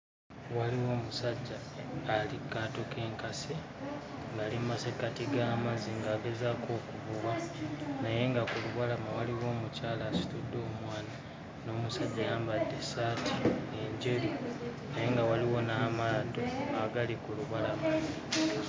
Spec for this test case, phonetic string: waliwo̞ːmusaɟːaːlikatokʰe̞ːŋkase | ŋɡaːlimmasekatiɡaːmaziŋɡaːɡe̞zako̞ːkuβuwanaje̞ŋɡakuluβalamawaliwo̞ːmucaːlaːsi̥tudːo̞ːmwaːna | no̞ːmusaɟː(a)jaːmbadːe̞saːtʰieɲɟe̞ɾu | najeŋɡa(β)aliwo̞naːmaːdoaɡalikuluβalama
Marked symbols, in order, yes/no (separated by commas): yes, no